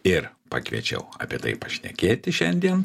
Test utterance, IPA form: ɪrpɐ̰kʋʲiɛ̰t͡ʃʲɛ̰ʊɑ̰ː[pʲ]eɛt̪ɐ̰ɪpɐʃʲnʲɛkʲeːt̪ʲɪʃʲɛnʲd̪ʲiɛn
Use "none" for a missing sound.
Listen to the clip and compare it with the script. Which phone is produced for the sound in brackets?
pʲ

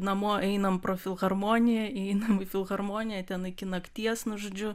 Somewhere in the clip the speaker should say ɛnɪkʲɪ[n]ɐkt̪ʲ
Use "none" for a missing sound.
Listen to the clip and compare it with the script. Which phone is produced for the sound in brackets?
n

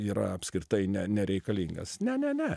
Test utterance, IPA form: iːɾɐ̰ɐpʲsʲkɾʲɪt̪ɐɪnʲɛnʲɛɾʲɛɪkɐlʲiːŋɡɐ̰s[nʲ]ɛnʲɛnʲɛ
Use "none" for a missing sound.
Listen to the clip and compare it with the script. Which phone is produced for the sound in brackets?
nʲ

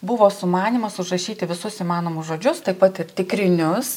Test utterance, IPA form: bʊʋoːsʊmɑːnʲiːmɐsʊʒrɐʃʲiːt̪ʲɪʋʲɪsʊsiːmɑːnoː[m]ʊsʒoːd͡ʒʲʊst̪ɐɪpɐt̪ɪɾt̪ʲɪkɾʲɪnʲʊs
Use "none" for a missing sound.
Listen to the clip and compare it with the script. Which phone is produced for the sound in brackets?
m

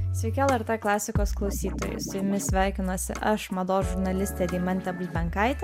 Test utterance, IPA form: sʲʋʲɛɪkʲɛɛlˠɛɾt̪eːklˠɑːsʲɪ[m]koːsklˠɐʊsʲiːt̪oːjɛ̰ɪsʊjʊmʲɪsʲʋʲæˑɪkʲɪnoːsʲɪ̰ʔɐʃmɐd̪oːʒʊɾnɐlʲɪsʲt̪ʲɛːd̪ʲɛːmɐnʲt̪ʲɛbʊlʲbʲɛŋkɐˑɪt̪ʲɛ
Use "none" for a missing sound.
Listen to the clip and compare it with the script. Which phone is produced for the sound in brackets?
none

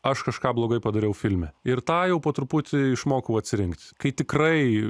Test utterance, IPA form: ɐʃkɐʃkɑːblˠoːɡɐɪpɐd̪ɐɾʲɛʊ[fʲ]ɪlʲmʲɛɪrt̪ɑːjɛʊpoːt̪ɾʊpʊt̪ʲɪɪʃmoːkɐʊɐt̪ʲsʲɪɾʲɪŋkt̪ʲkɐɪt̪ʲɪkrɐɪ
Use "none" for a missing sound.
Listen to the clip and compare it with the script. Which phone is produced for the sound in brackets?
fʲ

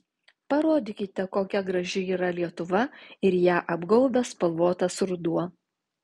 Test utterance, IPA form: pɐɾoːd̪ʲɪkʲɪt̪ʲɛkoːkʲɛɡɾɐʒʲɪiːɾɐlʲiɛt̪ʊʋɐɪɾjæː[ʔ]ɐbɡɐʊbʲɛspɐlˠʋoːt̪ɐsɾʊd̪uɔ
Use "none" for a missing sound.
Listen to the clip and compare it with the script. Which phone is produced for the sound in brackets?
ʔ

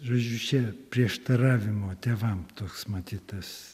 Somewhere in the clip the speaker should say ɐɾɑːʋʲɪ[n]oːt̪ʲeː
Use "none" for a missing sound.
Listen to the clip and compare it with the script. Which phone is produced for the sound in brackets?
m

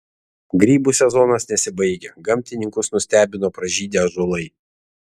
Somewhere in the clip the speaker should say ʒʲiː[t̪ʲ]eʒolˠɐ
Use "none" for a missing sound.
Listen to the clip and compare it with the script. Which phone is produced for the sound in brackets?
d̪ʲ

